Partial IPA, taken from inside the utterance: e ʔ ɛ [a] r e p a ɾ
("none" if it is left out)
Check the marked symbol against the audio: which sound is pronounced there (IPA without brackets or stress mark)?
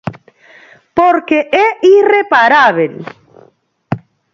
i